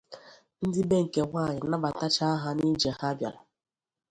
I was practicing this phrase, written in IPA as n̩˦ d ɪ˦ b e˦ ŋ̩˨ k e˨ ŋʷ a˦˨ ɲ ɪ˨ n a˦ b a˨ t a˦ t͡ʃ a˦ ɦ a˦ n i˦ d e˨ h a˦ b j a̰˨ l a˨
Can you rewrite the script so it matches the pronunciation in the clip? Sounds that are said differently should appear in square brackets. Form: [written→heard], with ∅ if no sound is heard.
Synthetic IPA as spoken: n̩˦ d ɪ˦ b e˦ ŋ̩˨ k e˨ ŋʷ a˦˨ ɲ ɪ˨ n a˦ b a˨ t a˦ t͡ʃ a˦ ɦ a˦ n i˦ [d→d͡ʒ] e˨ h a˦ b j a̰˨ l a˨